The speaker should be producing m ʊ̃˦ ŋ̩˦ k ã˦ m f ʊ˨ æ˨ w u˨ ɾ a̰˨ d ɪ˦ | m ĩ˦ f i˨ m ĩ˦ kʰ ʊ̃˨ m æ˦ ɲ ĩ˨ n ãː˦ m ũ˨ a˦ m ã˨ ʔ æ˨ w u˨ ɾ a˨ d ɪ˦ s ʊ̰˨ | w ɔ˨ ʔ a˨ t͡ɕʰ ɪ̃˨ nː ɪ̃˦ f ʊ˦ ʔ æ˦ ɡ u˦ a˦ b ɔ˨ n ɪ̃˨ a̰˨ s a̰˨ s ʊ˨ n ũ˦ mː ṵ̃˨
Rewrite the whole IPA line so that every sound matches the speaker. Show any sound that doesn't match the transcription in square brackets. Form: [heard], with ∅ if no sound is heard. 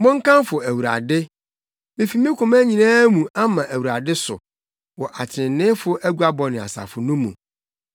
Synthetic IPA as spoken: m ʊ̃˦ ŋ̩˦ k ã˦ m f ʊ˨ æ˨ w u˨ ɾ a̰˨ d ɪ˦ | m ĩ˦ f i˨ m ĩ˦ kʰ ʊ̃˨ m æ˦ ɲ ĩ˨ n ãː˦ m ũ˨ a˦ m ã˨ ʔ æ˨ w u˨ ɾ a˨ d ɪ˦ s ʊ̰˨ | w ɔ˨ ʔ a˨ t͡ɕʰ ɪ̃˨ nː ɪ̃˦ f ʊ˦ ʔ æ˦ ɡ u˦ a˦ b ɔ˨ n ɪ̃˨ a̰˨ s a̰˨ [f] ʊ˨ n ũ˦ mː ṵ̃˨

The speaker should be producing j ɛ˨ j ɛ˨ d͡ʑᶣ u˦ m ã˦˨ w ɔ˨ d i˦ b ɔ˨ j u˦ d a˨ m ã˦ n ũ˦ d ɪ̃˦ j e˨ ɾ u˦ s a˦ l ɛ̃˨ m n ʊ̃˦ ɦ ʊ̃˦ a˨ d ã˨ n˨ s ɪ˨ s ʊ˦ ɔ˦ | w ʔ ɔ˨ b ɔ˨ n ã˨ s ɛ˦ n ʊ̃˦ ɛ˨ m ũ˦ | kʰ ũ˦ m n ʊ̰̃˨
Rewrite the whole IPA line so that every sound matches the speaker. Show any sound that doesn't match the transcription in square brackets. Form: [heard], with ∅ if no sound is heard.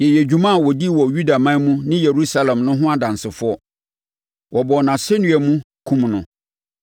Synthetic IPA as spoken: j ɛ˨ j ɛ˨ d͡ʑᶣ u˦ m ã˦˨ w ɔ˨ d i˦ [w] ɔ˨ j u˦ d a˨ m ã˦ [m] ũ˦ [n] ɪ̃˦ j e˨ ɾ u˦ s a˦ l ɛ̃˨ m n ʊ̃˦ ɦ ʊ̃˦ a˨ d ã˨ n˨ s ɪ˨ [f] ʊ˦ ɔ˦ | w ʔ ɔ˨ b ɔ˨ n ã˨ s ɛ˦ n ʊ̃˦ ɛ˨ m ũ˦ | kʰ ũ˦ m n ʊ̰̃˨

